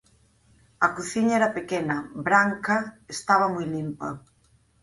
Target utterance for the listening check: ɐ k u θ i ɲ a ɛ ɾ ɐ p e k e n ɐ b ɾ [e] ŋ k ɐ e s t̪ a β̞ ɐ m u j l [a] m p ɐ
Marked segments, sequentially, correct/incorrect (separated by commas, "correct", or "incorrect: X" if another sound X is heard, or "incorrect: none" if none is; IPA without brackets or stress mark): incorrect: a, incorrect: i